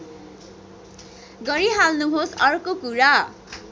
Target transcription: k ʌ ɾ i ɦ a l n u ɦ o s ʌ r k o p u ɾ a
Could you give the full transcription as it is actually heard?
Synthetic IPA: ɡ ʌ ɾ i ɦ a l n u ɦ o s ʌ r k o k u ɾ a